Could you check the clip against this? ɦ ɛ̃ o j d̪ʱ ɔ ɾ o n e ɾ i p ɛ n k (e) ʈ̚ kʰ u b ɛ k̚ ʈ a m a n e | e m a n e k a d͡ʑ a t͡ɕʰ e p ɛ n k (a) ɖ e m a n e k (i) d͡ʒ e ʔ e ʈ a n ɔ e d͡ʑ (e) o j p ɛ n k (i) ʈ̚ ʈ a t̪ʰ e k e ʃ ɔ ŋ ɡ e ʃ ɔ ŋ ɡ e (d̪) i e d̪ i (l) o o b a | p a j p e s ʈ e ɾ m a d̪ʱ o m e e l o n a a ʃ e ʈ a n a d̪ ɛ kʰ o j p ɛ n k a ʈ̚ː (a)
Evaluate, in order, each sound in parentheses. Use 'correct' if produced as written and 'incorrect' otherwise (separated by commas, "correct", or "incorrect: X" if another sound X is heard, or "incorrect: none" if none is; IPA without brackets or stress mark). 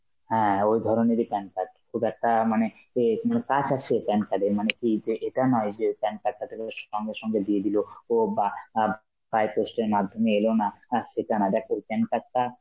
incorrect: a, correct, correct, correct, incorrect: a, correct, correct, correct